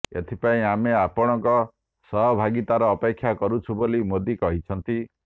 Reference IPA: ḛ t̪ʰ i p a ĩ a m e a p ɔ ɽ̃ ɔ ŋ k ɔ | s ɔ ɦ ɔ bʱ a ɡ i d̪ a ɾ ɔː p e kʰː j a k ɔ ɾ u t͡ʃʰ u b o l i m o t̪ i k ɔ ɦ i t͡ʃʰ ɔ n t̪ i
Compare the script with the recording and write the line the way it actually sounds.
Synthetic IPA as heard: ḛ t̪ʰ i p a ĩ a m e a p ɔ ɽ̃ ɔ ŋ k ɔ | s ɔ ɦ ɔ bʱ a ɡ i t̪ a ɾ ɔː p e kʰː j a k ɔ ɾ u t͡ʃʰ u b o l i m o d̪ i k ɔ ɦ i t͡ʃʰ ɔ n t̪ i